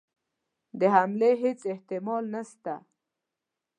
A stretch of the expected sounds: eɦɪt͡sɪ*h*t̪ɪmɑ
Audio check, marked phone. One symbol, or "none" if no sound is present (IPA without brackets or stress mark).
h